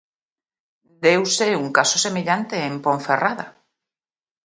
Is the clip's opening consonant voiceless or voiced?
voiced